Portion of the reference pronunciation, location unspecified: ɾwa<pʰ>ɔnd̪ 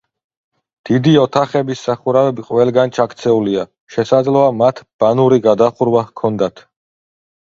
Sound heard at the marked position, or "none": kʰ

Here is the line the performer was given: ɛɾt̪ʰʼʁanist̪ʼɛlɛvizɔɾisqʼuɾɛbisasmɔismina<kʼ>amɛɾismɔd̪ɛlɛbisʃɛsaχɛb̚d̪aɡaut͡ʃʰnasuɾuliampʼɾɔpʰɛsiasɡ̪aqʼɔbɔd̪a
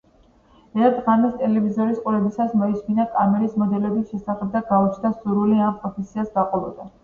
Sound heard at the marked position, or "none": kʼ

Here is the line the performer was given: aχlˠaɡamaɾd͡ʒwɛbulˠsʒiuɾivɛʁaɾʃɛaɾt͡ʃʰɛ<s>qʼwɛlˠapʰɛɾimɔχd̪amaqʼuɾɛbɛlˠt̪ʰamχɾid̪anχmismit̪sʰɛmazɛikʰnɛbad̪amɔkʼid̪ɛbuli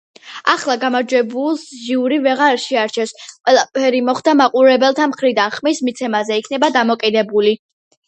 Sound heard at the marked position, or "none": s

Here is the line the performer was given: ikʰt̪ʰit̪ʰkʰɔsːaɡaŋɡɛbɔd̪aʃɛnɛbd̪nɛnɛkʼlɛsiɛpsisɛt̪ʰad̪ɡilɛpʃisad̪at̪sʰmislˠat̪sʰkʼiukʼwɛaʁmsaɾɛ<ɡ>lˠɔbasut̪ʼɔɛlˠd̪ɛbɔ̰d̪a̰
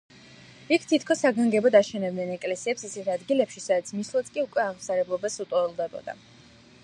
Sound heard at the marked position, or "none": b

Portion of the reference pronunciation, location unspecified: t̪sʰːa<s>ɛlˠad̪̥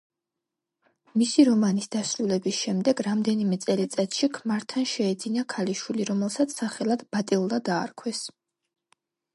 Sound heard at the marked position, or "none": χ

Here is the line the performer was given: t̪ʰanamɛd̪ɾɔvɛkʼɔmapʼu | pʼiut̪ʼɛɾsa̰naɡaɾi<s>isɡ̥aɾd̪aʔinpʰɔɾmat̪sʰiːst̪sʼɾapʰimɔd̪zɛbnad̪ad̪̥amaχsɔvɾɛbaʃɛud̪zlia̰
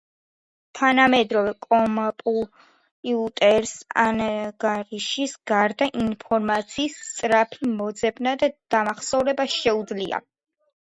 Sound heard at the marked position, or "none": ʃ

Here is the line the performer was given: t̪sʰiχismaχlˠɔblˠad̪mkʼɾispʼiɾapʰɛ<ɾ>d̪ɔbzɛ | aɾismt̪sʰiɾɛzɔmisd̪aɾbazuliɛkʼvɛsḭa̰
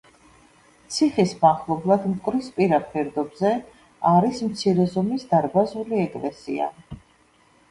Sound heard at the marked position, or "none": ɾ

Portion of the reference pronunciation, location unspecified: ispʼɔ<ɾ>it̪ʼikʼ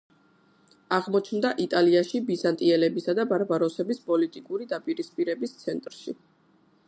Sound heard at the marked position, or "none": l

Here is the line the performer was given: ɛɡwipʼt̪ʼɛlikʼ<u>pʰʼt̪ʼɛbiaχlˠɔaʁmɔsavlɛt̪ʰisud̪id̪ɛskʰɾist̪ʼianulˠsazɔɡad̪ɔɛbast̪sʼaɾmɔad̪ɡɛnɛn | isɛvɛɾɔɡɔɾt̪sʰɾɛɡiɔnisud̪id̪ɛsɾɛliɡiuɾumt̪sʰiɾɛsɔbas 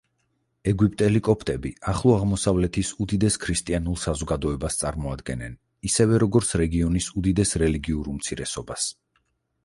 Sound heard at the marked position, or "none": ɔ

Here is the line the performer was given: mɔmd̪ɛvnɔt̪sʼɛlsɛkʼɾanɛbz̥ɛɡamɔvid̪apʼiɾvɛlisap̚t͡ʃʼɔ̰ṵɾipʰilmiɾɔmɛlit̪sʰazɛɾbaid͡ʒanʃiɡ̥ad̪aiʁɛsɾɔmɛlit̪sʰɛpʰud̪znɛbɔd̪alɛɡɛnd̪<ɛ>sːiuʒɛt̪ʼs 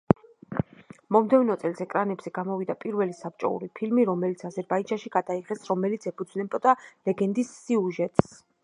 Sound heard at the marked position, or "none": i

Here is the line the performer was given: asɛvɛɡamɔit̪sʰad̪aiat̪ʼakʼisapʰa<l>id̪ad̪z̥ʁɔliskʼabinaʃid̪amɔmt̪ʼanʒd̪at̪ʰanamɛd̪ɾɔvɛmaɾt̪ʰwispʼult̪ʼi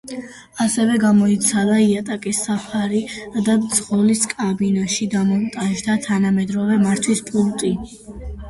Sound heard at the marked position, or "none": ɾ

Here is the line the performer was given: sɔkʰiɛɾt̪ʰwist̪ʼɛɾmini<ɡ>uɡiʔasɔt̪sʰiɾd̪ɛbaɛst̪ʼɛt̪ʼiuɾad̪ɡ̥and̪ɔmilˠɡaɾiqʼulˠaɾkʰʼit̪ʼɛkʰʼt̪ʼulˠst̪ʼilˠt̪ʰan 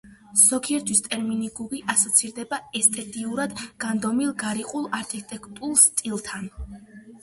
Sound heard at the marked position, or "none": ɡ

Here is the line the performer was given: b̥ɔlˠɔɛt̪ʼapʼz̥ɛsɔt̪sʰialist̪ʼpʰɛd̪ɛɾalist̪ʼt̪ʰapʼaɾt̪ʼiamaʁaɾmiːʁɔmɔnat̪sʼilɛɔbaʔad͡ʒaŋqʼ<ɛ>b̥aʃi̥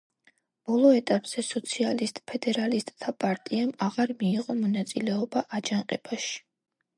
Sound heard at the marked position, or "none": ɛ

